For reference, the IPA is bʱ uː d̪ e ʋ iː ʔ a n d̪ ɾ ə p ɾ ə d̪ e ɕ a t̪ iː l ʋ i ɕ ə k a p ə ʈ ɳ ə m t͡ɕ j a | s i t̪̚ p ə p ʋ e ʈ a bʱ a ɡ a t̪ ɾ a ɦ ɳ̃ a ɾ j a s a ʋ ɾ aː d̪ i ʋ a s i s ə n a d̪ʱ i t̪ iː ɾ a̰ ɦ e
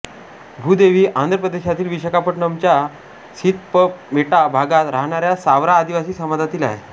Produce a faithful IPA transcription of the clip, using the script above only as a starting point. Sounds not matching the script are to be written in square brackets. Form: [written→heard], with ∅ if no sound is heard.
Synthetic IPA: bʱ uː d̪ e ʋ iː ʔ a n d̪ ɾ ə p ɾ ə d̪ e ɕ a t̪ iː l ʋ i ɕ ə k a p ə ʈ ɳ ə m t͡ɕ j a | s i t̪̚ p ə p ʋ e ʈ a bʱ a ɡ a t̪ ɾ a ɦ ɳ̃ a ɾ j a s a ʋ ɾ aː d̪ i ʋ a s [i→iː] s ə [n→m] a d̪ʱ [i→a] t̪ iː [ɾ→l] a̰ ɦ e

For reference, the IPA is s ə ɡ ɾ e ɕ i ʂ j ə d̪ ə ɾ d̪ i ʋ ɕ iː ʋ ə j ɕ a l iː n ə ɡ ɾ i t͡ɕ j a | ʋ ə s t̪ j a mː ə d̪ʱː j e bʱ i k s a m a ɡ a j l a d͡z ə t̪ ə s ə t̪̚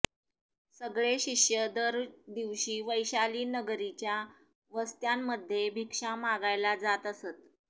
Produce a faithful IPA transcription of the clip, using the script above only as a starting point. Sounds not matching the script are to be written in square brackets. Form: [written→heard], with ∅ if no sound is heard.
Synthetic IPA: s ə ɡ [ɾ→ɭ] e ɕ i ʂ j ə d̪ ə ɾ d̪ i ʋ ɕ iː ʋ ə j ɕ a l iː n ə ɡ ɾ i t͡ɕ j a | ʋ ə s t̪ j a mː ə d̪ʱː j e bʱ i k [s→ʂ] a m a ɡ a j l a d͡z [ə→a] t̪ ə s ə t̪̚

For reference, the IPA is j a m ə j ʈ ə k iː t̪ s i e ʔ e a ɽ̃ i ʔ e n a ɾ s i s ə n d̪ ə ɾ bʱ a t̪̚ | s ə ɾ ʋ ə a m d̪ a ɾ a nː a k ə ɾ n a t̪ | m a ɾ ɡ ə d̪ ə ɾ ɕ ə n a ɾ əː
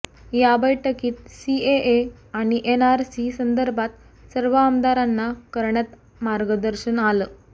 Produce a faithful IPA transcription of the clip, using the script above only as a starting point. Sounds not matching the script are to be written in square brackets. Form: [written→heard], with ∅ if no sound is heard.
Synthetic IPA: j a [m→b] ə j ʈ ə k iː t̪ s i e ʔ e a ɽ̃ i ʔ e n a ɾ s i s ə n d̪ ə ɾ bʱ a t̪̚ | s ə ɾ ʋ ə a m d̪ a ɾ a nː a k ə ɾ [n→ɳ] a t̪ | m a ɾ ɡ ə d̪ ə ɾ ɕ ə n a [ɾ→l] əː

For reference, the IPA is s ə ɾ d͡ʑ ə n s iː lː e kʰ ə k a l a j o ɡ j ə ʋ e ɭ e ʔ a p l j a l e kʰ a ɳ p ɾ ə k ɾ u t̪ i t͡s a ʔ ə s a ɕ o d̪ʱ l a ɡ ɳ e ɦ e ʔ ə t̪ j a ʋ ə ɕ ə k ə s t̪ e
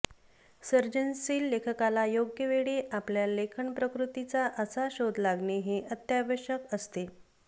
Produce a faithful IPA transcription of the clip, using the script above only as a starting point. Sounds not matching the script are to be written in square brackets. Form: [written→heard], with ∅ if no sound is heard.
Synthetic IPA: s ə ɾ d͡ʑ ə n s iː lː e kʰ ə k a l a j o ɡ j ə ʋ e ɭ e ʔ a p l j a l e kʰ [a→ə] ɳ p ɾ ə k ɾ u t̪ i t͡s a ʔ ə s a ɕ o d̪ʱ l a ɡ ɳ e ɦ e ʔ ə t̪ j a ʋ ə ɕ ə k ə s t̪ e

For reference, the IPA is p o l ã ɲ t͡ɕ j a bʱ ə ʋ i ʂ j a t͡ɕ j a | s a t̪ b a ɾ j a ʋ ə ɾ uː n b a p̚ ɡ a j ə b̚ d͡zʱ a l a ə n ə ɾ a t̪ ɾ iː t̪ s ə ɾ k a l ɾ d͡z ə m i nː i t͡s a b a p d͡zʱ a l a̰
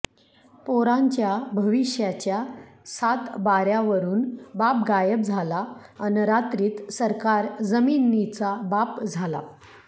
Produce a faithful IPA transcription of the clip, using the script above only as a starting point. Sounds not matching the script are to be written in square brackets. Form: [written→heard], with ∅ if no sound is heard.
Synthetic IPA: p o [l→ɾ] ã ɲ t͡ɕ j a bʱ ə ʋ i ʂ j a t͡ɕ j a | s a t̪ b a ɾ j a ʋ ə ɾ uː n b a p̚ ɡ a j ə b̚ d͡zʱ a l a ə n ə ɾ a t̪ ɾ iː t̪ s ə ɾ k a [l→∅] ɾ d͡z ə m i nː i t͡s a b a p d͡zʱ a l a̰

